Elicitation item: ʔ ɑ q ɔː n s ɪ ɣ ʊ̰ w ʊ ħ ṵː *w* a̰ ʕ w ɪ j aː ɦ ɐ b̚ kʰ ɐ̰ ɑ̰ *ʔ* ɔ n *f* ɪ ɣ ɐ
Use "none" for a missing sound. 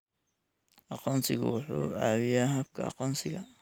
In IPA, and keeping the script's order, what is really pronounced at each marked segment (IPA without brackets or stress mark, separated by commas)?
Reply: none, q, s